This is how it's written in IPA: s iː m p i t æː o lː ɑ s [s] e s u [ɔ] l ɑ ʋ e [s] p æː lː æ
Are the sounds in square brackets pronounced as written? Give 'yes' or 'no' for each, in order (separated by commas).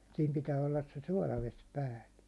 yes, no, yes